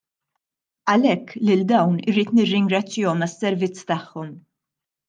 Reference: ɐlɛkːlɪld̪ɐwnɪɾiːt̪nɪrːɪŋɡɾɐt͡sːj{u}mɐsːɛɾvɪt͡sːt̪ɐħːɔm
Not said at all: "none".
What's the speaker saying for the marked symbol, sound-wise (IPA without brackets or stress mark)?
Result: ɔ